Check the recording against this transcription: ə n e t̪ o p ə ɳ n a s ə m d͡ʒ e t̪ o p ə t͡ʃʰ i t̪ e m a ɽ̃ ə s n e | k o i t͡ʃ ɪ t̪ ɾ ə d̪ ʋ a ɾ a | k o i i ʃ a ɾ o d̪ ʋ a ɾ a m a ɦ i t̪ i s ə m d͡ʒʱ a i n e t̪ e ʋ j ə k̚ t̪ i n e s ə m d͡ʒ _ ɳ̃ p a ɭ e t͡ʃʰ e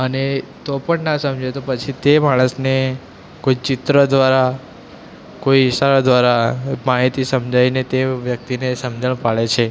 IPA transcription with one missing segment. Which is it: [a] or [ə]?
ə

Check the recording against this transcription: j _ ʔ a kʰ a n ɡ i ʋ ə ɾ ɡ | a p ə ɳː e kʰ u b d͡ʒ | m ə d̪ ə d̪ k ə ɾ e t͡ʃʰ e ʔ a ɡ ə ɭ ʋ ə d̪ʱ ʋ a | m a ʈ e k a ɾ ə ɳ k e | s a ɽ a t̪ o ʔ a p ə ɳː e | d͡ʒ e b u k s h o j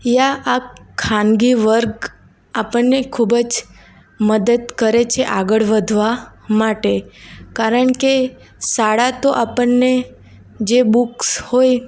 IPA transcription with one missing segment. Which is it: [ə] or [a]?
a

